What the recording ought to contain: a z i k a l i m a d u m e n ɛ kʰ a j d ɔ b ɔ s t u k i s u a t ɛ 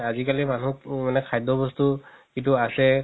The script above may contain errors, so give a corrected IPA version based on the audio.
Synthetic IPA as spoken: a z i k a l i m a n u m a n ɛ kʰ a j d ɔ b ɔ s t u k i t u a s ɛ

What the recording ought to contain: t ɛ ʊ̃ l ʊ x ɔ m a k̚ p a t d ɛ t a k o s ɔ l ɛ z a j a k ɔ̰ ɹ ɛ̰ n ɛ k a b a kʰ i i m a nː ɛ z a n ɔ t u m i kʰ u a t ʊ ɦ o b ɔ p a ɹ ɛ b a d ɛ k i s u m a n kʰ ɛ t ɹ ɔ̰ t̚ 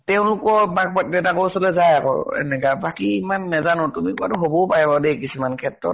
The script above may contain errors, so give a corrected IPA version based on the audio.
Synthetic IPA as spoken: t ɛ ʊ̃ l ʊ k ɔ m a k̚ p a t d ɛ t a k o s ɔ l ɛ z a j a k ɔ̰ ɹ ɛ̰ n ɛ k a b a k i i m a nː ɛ z a n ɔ t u m i k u a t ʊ ɦ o b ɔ p a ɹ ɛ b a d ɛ k i s u m a n kʰ ɛ t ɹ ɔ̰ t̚

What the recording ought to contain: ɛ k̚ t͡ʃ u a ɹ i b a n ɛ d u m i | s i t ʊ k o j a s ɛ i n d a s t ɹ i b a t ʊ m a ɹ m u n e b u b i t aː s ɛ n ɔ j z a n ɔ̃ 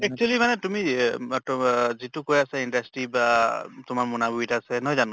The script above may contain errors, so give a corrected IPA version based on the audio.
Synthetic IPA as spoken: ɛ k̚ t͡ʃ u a l i m a n ɛ t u m i | z i t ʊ k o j a s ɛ i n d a s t ɹ i b a t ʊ m a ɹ m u n a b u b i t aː s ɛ n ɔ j z a n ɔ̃

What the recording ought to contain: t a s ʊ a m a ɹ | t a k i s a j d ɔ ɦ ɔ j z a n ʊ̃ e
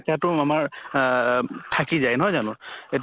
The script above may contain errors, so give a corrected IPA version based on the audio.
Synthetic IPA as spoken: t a t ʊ a m a ɹ | tʰ a k i z a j n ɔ ɦ ɔ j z a n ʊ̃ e

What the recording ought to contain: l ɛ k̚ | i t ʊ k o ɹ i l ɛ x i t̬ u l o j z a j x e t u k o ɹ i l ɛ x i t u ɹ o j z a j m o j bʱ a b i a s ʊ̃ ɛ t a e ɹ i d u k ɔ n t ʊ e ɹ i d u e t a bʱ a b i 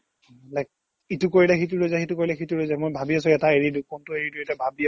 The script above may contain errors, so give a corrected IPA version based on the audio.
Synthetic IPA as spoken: l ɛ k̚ | i t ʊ k o ɹ i l ɛ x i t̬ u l o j z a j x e t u k o ɹ i l ɛ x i t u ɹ o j z a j m o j bʱ a b i a s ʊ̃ ɛ t a e ɹ i d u k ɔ n t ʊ e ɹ i d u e t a bʱ a b i

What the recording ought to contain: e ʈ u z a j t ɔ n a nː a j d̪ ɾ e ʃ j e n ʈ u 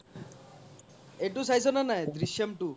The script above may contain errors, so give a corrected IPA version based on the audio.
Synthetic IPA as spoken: e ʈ u s a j s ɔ n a n a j d̪ ɾ i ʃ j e m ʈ u

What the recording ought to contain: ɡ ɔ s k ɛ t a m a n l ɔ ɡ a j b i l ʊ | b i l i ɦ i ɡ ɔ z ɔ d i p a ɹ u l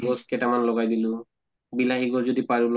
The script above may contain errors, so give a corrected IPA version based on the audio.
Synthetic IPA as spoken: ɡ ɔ s k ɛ t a m a n l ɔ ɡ a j d i l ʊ | b i l a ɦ i ɡ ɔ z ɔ d i p a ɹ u l

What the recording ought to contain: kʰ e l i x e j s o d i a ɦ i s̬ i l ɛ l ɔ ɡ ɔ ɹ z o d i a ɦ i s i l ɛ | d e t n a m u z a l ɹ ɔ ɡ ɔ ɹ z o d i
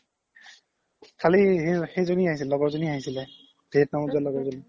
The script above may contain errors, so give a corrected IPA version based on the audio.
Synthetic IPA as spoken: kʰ a l i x e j z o n i a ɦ i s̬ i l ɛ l ɔ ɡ ɔ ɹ z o n i a ɦ i s i l ɛ | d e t n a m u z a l l ɔ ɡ ɔ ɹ z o n i

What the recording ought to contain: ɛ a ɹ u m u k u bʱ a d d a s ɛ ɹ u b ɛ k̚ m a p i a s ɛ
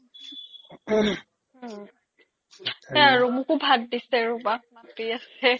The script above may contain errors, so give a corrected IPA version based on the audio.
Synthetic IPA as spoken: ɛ a ɹ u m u k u bʱ a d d i s ɛ ɹ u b a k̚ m a p i a s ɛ

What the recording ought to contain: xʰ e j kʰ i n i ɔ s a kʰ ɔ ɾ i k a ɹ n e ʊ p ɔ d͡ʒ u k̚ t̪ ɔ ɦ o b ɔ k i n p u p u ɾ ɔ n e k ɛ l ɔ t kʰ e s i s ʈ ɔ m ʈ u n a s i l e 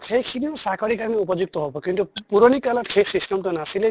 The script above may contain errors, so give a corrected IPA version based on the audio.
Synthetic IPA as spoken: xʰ e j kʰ i n i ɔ s a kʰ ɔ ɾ i k a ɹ n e u p ɔ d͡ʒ u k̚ t̪ ɔ ɦ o b ɔ k i n t u p u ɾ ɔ n i k a l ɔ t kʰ e s i s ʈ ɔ m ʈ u n a s i l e

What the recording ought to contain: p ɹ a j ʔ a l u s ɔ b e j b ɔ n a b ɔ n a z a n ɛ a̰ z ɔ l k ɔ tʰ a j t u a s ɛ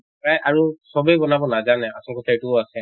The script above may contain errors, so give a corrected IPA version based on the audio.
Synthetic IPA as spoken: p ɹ a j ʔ a ɹ u s ɔ b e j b ɔ n a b ɔ n a z a n ɛ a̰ s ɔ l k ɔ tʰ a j t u a s ɛ

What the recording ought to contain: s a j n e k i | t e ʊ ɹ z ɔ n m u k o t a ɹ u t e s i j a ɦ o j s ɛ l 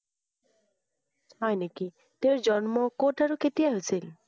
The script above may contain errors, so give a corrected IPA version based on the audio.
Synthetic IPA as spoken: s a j n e k i | t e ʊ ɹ z ɔ n m ɔ k o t a ɹ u k e t i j a ɦ o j s i l

